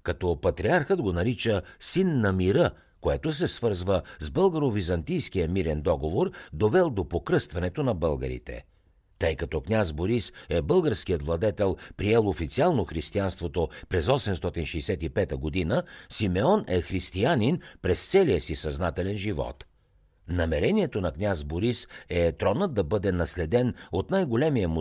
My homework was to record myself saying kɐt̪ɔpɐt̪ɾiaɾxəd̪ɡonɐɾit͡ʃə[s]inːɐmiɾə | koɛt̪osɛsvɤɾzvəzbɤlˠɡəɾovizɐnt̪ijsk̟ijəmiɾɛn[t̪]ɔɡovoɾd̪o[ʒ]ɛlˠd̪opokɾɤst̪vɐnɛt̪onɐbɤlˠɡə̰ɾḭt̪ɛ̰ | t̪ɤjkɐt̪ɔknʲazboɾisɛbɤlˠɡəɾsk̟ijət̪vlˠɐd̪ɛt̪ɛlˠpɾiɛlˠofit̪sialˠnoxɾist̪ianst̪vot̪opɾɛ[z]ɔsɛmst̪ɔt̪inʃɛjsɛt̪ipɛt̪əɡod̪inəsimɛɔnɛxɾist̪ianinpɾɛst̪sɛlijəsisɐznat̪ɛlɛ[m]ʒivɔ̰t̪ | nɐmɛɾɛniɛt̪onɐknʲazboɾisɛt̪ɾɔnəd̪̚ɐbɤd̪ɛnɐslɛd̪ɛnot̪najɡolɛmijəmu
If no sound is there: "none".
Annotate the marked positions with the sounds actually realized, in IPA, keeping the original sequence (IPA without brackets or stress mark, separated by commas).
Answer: s, d̪, v, z, n